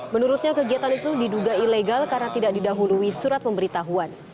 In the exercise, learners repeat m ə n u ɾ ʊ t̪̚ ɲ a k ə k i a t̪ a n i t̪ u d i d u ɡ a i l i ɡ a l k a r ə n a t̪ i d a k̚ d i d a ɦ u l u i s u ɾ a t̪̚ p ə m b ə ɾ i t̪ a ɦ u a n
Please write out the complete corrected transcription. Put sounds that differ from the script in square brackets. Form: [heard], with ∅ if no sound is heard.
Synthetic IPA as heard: m ə n u ɾ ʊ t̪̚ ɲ a k ə [ɡ] i a t̪ a n i t̪ u d i d u ɡ a i l [e] ɡ a l k a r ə n a t̪ i d a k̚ d i d a ɦ u l u i s u ɾ a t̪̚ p ə m b ə ɾ i t̪ a ɦ u a n